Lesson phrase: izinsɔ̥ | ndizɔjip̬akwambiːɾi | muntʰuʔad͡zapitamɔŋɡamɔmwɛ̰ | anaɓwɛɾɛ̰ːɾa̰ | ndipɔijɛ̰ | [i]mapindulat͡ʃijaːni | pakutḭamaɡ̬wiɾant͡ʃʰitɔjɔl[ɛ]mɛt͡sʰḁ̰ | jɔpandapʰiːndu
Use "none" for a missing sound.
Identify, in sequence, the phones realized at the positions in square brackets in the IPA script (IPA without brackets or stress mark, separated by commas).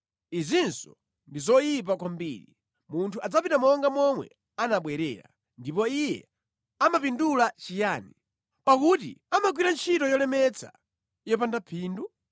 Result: a, ɛ